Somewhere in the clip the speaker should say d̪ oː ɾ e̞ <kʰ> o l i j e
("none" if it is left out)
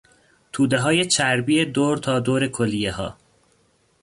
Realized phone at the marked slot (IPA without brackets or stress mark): kʰ